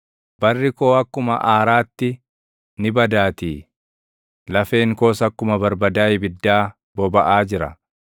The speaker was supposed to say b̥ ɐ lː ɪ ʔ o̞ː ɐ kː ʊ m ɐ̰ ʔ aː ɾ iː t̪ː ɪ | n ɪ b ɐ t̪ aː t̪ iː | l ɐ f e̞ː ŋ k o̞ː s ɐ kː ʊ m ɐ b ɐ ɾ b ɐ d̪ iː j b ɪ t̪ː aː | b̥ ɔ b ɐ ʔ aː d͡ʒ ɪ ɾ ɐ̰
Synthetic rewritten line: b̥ ɐ rː ɪ k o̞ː ɐ kː ʊ m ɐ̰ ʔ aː ɾ aː t̪ː ɪ | n ɪ b ɐ d̪ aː t̪ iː | l ɐ f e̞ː ŋ k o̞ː s ɐ kː ʊ m ɐ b ɐ ɾ b ɐ d̪ aː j b ɪ d̪ː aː | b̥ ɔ b ɐ ʔ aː d͡ʒ ɪ ɾ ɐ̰

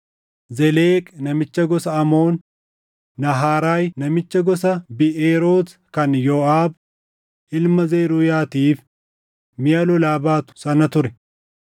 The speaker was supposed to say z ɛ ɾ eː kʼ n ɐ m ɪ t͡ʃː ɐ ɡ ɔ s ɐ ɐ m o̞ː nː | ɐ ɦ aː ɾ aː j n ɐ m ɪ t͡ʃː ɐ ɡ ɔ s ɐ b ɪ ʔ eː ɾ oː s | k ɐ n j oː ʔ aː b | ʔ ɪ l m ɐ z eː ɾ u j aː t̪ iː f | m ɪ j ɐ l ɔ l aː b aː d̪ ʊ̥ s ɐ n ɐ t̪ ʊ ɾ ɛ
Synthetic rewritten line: z ɛ l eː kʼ n ɐ m ɪ t͡ʃː ɐ ɡ ɔ s ɐ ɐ m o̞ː nː | ɐ ɦ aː ɾ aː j n ɐ m ɪ t͡ʃː ɐ ɡ ɔ s ɐ b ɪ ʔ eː ɾ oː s | k ɐ n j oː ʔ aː b | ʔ ɪ l m ɐ z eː ɾ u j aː t̪ iː f | m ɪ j ɐ l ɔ l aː b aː t̪ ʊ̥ s ɐ n ɐ t̪ ʊ ɾ ɛ

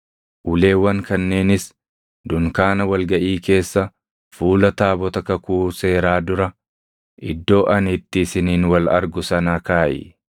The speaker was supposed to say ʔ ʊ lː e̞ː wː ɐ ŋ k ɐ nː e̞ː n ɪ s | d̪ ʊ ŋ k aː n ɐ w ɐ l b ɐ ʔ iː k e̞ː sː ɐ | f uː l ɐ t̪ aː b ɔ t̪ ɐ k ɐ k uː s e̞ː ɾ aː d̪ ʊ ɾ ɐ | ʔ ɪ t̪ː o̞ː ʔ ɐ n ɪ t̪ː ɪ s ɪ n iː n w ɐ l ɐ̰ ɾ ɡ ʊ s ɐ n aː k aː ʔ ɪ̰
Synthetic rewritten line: ʔ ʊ l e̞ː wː ɐ ŋ k ɐ nː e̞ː n ɪ s | d̪ ʊ ŋ k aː n ɐ w ɐ l ɡ ɐ ʔ iː k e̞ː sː ɐ | f uː l ɐ t̪ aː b ɔ t̪ ɐ k ɐ k uː s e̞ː ɾ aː d̪ ʊ ɾ ɐ | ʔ ɪ d̪ː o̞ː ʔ ɐ n ɪ t̪ː ɪ s ɪ n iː n w ɐ l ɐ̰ ɾ ɡ ʊ s ɐ n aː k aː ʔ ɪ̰

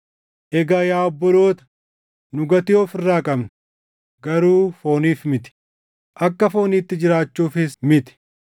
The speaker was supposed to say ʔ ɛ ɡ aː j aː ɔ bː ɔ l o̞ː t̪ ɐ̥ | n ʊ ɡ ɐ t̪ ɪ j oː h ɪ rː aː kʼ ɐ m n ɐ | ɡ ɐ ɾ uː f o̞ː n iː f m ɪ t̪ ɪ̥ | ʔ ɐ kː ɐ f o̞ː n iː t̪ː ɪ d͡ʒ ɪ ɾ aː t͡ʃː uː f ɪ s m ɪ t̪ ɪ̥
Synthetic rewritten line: ʔ ɛ ɡ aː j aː ɔ bː ɔ l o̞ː t̪ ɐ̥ | n ʊ ɡ ɐ t̪ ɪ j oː f ɪ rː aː kʼ ɐ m n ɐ | ɡ ɐ ɾ uː f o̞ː n iː f m ɪ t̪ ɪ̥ | ʔ ɐ kː ɐ f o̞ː n iː t̪ː ɪ d͡ʒ ɪ ɾ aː t͡ʃː uː f ɪ s m ɪ t̪ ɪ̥

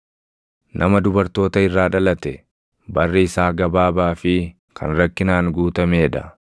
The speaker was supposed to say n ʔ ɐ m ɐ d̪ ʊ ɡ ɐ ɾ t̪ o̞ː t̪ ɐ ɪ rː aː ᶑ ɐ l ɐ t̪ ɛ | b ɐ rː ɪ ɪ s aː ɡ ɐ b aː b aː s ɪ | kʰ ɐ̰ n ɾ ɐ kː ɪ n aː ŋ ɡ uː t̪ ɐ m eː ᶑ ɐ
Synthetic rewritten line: n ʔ ɐ m ɐ d̪ ʊ b ɐ ɾ t̪ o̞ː t̪ ɐ ɪ rː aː ᶑ ɐ l ɐ t̪ ɛ | b ɐ rː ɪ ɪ s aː ɡ ɐ b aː b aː f ɪ | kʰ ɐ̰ n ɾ ɐ kː ɪ n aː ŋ ɡ uː t̪ ɐ m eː ᶑ ɐ

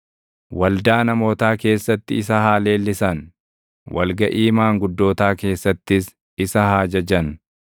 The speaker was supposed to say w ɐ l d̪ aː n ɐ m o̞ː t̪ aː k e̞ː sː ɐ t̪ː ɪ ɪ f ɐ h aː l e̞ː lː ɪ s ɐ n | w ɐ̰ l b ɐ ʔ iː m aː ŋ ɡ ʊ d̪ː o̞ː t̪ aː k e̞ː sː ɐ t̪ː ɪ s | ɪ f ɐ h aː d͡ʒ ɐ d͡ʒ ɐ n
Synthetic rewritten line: w ɐ l d̪ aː n ɐ m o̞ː t̪ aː k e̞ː sː ɐ t̪ː ɪ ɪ s ɐ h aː l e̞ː lː ɪ s ɐ n | w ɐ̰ l ɡ ɐ ʔ iː m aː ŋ ɡ ʊ d̪ː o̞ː t̪ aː k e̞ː sː ɐ t̪ː ɪ s | ɪ s ɐ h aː d͡ʒ ɐ d͡ʒ ɐ n

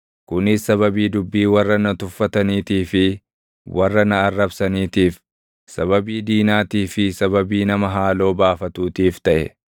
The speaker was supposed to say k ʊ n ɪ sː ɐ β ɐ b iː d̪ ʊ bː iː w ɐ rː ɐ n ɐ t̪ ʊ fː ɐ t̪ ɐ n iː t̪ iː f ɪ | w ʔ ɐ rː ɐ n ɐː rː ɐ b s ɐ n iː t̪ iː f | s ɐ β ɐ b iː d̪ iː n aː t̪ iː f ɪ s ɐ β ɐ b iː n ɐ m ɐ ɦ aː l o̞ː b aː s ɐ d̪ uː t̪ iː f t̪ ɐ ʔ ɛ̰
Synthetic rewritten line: k ʊ n ɪ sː ɐ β ɐ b iː d̪ ʊ bː iː w ɐ rː ɐ n ɐ t̪ ʊ fː ɐ t̪ ɐ n iː t̪ iː f ɪ | w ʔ ɐ rː ɐ n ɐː rː ɐ b s ɐ n iː t̪ iː f | s ɐ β ɐ b iː d̪ iː n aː t̪ iː f ɪ s ɐ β ɐ b iː n ɐ m ɐ ɦ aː l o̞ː b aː f ɐ t̪ uː t̪ iː f t̪ ɐ ʔ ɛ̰

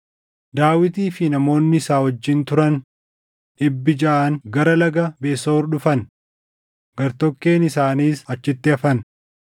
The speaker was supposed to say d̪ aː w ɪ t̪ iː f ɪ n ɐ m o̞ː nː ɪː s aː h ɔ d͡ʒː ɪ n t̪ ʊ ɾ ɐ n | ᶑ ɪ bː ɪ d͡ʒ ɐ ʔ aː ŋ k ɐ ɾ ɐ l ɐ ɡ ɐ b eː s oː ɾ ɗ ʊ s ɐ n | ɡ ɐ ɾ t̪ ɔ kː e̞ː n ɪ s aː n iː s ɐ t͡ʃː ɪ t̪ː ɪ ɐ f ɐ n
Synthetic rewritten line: d̪ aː w ɪ t̪ iː f ɪ n ɐ m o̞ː nː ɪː s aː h ɔ d͡ʒː ɪ n t̪ ʊ ɾ ɐ n | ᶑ ɪ bː ɪ d͡ʒ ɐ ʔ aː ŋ ɡ ɐ ɾ ɐ l ɐ ɡ ɐ b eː s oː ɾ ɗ ʊ f ɐ n | ɡ ɐ ɾ t̪ ɔ kː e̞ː n ɪ s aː n iː s ɐ t͡ʃː ɪ t̪ː ɪ ɐ f ɐ n

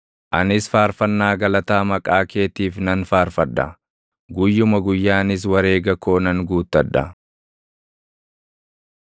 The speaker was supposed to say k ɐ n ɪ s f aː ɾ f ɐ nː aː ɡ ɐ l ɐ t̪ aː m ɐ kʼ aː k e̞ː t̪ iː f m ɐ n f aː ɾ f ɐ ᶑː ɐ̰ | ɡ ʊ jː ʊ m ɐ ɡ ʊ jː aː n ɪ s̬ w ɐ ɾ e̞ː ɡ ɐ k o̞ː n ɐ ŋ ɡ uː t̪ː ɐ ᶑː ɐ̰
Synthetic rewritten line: ʔ ɐ n ɪ s f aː ɾ f ɐ nː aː ɡ ɐ l ɐ t̪ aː m ɐ kʼ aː k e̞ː t̪ iː f n ɐ n f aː ɾ f ɐ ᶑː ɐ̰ | ɡ ʊ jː ʊ m ɐ ɡ ʊ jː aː n ɪ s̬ w ɐ ɾ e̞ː ɡ ɐ k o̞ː n ɐ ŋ ɡ uː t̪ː ɐ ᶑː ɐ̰

